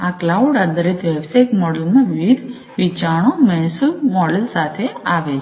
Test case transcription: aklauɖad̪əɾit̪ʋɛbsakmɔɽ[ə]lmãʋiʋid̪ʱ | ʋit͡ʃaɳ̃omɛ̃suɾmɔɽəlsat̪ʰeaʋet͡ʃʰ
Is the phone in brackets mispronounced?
no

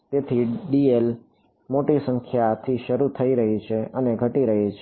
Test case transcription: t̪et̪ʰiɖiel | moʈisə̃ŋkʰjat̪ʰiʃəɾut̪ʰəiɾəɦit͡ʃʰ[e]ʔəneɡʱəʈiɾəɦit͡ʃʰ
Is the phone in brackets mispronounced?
no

